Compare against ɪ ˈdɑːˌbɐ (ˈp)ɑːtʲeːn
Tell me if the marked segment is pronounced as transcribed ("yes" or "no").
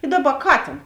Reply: no